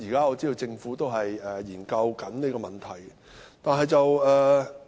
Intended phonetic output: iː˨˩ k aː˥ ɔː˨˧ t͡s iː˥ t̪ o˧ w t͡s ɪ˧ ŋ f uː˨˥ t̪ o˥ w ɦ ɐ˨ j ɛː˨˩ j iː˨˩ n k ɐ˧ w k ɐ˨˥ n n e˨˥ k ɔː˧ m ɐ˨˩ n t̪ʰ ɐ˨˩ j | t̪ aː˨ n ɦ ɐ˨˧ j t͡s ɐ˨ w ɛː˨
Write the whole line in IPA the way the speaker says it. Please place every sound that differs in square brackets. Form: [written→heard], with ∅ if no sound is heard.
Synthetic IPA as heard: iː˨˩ k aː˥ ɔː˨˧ t͡s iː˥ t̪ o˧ w t͡s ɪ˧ ŋ f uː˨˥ t̪ o˥ w ɦ ɐ˨ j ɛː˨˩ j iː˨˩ n k ɐ˧ w k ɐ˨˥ n n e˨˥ k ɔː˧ m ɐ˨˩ n t̪ʰ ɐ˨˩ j | t̪ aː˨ n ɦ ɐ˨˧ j t͡s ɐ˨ w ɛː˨